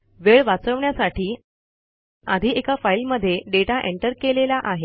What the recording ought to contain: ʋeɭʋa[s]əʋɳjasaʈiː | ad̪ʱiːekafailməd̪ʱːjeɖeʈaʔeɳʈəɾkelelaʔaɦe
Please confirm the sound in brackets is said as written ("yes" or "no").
no